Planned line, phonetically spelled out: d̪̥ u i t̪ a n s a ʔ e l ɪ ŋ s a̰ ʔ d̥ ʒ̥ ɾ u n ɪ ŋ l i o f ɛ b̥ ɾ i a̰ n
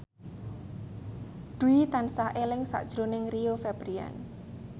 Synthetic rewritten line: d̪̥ u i t̪ a n s a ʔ e l ɪ ŋ s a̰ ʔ d̥ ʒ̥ ɾ o n ɪ ŋ r i o f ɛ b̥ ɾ i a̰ n